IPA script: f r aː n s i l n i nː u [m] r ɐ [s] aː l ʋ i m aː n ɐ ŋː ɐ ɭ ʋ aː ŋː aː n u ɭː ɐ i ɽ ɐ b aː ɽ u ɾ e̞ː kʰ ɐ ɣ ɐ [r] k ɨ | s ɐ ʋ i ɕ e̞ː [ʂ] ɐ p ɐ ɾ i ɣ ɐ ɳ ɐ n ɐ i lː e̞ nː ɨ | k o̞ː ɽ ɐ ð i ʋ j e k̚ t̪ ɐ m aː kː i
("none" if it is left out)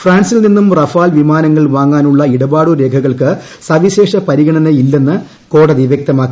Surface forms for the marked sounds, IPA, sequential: m, f, ɭ, ʂ

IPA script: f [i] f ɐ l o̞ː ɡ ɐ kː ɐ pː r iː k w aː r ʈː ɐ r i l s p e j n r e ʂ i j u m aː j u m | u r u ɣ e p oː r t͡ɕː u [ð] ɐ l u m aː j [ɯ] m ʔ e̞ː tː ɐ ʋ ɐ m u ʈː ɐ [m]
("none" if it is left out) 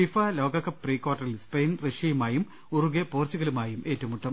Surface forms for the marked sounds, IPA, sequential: i, ɣ, u, m

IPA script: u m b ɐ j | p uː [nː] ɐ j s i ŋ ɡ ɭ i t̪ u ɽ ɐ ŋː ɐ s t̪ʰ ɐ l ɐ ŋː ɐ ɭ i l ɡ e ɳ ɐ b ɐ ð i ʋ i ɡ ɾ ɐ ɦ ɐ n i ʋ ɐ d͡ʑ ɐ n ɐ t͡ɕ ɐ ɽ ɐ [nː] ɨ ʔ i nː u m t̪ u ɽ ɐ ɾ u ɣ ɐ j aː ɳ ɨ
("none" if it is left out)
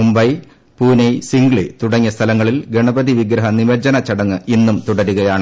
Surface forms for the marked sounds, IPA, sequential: n, ŋː

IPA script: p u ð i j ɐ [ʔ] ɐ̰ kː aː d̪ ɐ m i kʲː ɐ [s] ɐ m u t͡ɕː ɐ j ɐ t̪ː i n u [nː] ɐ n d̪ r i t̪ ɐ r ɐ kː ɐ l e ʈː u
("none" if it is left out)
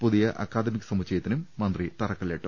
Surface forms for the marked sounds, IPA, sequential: ʔ, s, mː

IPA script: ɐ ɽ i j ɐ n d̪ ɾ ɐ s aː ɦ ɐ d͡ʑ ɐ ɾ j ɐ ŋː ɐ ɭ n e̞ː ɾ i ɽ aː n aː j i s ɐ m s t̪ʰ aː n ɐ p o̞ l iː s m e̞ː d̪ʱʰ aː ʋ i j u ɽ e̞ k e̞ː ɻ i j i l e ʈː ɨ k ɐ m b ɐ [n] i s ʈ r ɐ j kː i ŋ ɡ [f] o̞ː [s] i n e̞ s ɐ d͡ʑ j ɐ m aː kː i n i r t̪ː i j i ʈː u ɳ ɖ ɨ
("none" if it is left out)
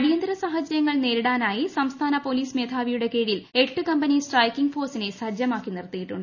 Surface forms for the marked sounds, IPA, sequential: n, f, s

